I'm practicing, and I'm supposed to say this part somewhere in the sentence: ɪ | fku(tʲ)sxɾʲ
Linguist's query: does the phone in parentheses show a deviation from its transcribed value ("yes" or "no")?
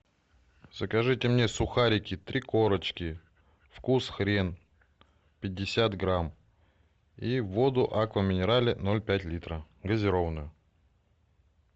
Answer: yes